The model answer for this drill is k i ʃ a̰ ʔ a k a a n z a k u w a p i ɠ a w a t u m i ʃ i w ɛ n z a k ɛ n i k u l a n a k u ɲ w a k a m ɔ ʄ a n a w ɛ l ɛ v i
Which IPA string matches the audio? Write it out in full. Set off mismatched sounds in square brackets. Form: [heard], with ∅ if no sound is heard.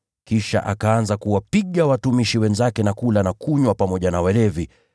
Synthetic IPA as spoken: k i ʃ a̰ ʔ a k a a n z a k u w a p i ɠ a w a t u m i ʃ i w ɛ n z a k ɛ n [a] k u l a n a k u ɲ w a [p] a m ɔ ʄ a n a w ɛ l ɛ v i

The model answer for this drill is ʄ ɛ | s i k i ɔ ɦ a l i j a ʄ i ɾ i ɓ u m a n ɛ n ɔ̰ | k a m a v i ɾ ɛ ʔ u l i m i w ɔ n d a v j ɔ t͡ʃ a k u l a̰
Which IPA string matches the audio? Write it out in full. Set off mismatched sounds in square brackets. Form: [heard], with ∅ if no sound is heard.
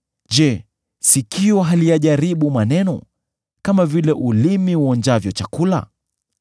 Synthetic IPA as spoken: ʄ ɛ | s i k i ɔ ɦ a l i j a ʄ [a] ɾ i ɓ u m a n ɛ n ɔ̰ | k a m a v i [l] ɛ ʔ u l i m i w ɔ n [d͡ʒ] a v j ɔ t͡ʃ a k u l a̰

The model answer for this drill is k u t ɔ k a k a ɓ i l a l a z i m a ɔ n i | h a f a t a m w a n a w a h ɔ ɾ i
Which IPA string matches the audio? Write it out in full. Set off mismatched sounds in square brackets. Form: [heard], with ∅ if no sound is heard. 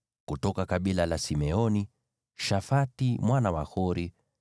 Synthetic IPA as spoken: k u t ɔ k a k a ɓ i l a l a [s] i m [ɛ] ɔ n i | [ʃ] a f a t [i] m w a n a w a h ɔ ɾ i

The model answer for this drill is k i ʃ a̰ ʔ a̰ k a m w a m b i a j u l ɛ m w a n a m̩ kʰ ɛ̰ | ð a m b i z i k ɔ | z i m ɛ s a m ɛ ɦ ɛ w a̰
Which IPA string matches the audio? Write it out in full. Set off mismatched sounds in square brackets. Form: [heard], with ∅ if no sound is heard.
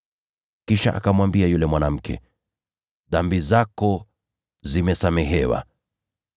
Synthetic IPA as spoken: k i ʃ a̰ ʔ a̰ k a m w a m b i a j u l ɛ m w a n a m̩ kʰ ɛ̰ | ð a m b i z [a] k ɔ | z i m ɛ s a m ɛ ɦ ɛ w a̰

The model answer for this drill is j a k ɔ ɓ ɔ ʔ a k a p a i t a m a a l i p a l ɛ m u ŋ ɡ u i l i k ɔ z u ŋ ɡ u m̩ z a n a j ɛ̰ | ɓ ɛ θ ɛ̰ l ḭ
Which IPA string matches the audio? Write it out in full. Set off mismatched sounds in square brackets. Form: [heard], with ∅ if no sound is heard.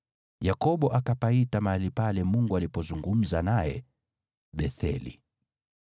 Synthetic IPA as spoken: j a k ɔ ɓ ɔ ʔ a k a p a i t a m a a l i p a l ɛ m u ŋ ɡ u [a] l i [p] ɔ z u ŋ ɡ u m̩ z a n a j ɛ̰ | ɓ ɛ θ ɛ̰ l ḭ

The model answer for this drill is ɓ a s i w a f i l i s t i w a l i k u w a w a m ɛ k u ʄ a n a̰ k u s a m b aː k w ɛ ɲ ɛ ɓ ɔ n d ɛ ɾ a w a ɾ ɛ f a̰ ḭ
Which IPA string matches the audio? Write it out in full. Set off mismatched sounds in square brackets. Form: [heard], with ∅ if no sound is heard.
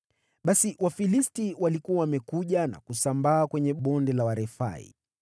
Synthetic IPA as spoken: ɓ a s i w a f i l i s t i w a l i k u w a w a m ɛ k u ʄ a n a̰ k u s a m b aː k w ɛ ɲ ɛ ɓ ɔ n d ɛ [l] a w a ɾ ɛ f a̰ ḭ

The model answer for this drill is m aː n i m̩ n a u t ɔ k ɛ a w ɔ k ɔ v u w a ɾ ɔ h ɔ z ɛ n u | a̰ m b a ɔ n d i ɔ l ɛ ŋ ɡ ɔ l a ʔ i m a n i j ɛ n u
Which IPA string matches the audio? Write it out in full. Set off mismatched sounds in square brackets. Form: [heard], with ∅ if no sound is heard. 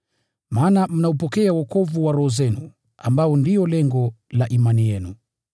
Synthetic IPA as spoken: m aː n [a] m̩ n a u [p] ɔ k ɛ a w ɔ k ɔ v u w a ɾ ɔ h ɔ z ɛ n u | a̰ m b a ɔ n d i ɔ l ɛ ŋ ɡ ɔ l a ʔ i m a n i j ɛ n u

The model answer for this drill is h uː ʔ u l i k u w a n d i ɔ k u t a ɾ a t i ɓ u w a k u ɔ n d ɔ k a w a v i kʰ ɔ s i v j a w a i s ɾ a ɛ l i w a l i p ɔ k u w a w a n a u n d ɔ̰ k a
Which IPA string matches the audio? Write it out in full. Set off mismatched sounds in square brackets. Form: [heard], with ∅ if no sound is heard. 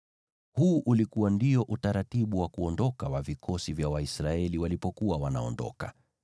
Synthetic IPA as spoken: h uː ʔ u l i k u w a n d i ɔ [ʔ] u t a ɾ a t i ɓ u w a k u ɔ n d ɔ k a w a v i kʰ ɔ s i v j a w a i s ɾ a ɛ l i w a l i p ɔ k u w a w a n a [ɔ] n d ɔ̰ k a

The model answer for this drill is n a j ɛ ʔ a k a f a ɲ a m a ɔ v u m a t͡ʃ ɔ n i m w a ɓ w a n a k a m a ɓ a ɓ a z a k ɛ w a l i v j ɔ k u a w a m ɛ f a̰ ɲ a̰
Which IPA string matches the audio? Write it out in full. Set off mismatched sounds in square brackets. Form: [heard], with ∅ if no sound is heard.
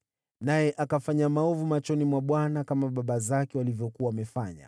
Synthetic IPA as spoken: n a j ɛ ʔ a k a f a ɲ a m a ɔ v u m a t͡ʃ ɔ n i m w a ɓ w a n a k a m a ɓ a ɓ a z a k ɛ w a l i v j ɔ k u a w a m ɛ f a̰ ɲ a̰

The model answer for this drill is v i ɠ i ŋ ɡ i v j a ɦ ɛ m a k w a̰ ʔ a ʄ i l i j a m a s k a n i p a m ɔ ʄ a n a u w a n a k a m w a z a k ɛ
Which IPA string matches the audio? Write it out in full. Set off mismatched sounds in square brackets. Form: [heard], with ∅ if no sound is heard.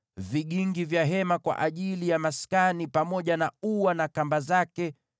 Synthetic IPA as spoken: v i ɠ i ŋ ɡ i v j a ɦ ɛ m a k w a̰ ʔ a ʄ i l i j a m a s k a n i p a m ɔ ʄ a n a u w a n a k a m [b] a z a k ɛ

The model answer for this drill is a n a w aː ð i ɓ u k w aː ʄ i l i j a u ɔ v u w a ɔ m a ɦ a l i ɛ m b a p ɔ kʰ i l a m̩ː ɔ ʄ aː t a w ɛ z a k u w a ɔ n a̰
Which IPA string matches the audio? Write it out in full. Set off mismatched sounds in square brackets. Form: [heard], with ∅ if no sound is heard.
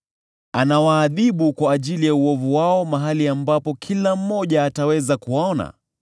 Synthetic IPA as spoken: a n a w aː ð i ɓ u k w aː ʄ i l i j a u ɔ v u w a ɔ m a ɦ a l i [a] m b a p ɔ kʰ i l a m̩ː ɔ ʄ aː t a w ɛ z a k u w a ɔ n a̰

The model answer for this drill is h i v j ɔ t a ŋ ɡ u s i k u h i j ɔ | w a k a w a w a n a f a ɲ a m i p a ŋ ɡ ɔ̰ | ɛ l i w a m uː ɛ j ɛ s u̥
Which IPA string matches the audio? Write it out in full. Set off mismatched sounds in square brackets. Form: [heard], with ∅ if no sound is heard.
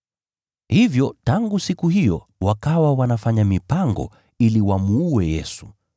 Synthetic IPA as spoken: h i v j ɔ t a ŋ ɡ u s i k u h i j ɔ | w a k a w a w a n a f a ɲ a m i p a ŋ ɡ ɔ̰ | [i] l i w a m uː ɛ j ɛ s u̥

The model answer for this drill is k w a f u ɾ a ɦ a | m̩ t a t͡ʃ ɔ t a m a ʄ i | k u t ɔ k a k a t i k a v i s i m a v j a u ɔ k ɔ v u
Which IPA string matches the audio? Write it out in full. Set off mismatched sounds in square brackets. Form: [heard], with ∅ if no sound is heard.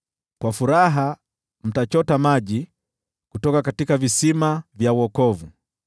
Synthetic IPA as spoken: k w a f u ɾ a ɦ a | m̩ t a t͡ʃ ɔ t a m a ʄ i | k u t ɔ k a k a t i k a v i s i m a v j a u ɔ k ɔ v u

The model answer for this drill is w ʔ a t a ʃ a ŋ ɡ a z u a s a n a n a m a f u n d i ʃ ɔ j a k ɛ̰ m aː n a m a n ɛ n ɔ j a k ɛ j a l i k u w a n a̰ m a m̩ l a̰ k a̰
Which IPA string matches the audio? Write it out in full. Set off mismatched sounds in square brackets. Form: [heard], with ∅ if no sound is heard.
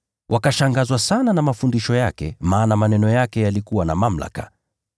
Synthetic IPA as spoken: w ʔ a [k] a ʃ a ŋ ɡ a z [w] a s a n a n a m a f u n d i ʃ ɔ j a k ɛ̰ m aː n a m a n ɛ n ɔ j a k ɛ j a l i k u w a n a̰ m a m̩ l a̰ k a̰

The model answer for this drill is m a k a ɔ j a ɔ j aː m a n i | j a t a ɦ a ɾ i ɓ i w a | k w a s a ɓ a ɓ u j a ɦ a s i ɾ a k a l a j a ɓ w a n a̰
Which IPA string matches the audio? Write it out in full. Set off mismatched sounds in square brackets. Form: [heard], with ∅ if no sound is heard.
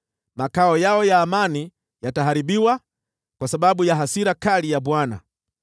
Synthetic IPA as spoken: m a k a ɔ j a ɔ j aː m a n i | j a t a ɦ a ɾ i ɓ i w a | k w a s a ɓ a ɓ u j a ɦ a s i ɾ a k a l [i] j a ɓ w a n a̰

